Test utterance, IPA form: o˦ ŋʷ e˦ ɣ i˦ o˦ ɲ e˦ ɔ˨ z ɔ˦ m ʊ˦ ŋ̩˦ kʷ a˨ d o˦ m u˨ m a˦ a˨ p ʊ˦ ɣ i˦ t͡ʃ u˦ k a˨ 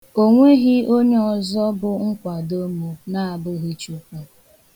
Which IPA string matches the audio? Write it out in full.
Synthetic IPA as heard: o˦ ŋʷ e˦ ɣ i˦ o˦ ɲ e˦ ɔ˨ z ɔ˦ b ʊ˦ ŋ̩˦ kʷ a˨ d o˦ m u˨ n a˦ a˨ b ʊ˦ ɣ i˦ t͡ʃ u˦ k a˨

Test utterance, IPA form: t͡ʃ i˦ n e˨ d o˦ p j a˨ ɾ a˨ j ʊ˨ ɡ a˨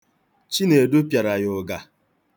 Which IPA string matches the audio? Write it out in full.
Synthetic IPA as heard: t͡ʃ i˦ n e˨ d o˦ p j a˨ ɾ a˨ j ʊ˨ ɡ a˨

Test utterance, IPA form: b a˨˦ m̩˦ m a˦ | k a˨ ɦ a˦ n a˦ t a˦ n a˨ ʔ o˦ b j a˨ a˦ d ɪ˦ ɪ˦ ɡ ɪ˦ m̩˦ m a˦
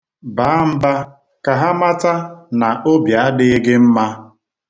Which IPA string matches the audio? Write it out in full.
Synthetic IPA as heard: b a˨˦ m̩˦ b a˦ | k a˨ ɦ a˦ m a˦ t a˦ n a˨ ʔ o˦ b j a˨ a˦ d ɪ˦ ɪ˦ ɡ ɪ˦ m̩˦ m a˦

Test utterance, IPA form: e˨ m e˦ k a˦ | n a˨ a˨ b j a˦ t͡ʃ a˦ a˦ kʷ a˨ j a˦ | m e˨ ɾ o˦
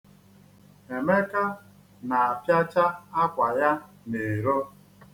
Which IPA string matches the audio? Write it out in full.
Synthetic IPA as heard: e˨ m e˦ k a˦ | n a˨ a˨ p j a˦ t͡ʃ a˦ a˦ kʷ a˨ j a˦ | n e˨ ɾ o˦

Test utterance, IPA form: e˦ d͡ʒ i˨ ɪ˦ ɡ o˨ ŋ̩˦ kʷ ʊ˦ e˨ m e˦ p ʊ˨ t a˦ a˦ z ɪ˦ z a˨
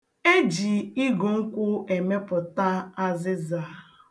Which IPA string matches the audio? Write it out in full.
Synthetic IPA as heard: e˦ d͡ʒ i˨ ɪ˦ ɡ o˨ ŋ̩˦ kʷ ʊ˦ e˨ m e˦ p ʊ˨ t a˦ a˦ z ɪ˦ z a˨

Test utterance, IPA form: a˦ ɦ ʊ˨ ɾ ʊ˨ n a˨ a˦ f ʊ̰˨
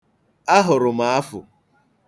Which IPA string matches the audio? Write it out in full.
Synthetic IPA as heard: a˦ ɦ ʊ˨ ɾ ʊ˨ m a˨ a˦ f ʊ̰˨

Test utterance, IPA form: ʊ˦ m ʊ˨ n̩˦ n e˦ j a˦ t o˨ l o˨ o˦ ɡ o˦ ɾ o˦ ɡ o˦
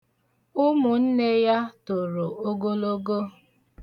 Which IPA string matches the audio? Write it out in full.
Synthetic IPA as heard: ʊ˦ m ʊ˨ n̩˦ n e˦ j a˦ t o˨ ɾ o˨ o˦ ɡ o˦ l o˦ ɡ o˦

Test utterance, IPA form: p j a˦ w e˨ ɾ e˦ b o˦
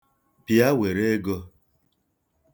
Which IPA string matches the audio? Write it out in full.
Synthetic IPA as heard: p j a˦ w e˨ ɾ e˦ ɡ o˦

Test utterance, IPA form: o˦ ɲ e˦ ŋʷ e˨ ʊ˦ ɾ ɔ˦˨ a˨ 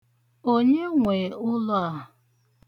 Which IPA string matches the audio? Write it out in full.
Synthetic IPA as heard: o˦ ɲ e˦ ŋʷ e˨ ʊ˦ l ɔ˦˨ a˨

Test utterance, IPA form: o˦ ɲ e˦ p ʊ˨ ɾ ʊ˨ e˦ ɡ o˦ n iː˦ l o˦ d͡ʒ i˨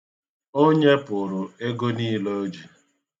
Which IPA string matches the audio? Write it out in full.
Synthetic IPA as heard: o˦ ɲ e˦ p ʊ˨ ɾ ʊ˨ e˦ ɡ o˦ n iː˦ l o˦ d͡ʒ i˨

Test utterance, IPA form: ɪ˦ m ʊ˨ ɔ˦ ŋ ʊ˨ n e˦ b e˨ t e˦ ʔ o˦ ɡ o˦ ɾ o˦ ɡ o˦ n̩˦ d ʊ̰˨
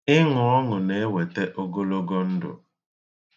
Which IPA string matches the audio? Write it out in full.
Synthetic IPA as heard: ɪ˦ ŋ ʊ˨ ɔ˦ ŋ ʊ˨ n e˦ w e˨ t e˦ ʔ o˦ ɡ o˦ l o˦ ɡ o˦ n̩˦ d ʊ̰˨

